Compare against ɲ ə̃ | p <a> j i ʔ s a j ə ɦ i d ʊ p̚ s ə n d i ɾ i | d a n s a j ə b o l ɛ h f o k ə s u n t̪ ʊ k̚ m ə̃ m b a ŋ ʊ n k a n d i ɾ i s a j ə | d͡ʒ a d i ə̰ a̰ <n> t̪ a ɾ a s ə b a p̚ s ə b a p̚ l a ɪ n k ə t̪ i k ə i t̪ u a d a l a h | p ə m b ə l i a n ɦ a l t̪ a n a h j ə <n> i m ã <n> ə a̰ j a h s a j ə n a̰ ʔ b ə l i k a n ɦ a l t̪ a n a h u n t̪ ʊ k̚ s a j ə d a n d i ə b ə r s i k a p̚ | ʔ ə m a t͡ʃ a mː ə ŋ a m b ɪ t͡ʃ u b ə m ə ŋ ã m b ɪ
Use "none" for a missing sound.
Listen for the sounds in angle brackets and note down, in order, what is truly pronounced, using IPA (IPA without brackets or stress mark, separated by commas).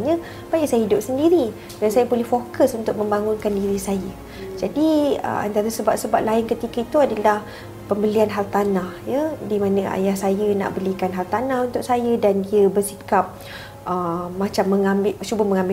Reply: a, n, d, n